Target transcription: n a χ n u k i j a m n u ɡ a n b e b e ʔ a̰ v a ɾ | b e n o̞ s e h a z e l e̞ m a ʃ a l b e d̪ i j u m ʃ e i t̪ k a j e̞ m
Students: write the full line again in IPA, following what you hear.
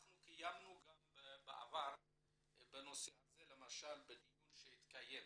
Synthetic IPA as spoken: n a χ n u k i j a m n u ɡ a m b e b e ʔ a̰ v a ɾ | b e n o̞ s e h a z e l e̞ m a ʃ a l b e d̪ i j u n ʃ e i t̪ k a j e̞ m